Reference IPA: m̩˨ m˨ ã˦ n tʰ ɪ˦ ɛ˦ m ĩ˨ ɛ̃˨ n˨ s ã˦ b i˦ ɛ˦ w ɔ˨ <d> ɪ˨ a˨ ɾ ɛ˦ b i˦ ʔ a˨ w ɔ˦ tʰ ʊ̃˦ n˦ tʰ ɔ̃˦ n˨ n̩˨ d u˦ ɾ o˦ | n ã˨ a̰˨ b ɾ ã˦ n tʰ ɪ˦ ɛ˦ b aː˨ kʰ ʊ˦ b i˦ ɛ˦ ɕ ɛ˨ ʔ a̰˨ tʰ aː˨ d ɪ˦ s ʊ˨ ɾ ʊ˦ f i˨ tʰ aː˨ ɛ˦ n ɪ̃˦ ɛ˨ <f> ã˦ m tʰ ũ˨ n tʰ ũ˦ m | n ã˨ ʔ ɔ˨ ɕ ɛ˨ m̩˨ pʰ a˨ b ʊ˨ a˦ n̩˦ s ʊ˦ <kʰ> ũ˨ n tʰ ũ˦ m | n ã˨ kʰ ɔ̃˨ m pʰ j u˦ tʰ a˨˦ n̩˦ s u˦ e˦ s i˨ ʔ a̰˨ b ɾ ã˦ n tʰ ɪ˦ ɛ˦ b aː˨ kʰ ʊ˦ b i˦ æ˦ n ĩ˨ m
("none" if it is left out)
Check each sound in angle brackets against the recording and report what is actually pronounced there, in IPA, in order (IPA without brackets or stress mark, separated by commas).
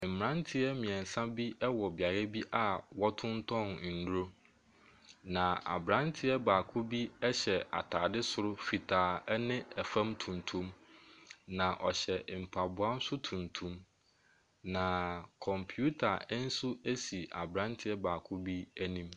b, f, tʰ